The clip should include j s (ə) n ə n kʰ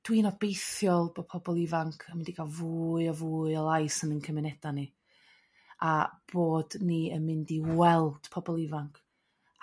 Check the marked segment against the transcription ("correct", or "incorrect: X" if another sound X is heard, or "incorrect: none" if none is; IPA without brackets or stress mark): correct